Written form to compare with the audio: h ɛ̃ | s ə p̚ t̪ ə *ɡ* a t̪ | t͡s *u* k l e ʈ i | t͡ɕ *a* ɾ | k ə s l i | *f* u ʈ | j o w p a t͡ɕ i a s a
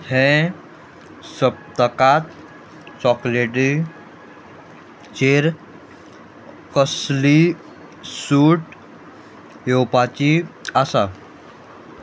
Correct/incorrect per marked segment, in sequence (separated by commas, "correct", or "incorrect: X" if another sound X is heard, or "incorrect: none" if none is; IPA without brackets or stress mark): incorrect: k, incorrect: ɔ, incorrect: e, incorrect: s